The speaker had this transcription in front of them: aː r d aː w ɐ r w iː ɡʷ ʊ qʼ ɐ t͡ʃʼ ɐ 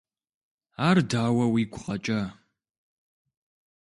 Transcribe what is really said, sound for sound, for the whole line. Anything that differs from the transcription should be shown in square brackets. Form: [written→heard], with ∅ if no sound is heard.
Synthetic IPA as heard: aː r d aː w ɐ [r→∅] w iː ɡʷ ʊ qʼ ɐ t͡ʃʼ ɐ